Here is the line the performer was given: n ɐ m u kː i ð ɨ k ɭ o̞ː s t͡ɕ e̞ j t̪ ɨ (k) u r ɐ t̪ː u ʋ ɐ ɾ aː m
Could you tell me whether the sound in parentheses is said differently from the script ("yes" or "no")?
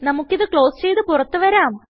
yes